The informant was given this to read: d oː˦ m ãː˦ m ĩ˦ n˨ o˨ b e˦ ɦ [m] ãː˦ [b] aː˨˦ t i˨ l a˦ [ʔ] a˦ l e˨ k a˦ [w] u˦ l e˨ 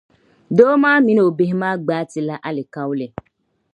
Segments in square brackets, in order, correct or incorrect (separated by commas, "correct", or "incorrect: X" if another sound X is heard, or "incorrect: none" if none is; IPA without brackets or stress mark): correct, incorrect: ɡ͡b, correct, correct